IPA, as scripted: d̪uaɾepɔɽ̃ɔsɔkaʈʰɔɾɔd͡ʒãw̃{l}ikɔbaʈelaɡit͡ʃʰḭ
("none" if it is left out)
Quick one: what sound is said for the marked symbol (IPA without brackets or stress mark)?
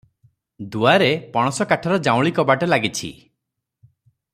ɭ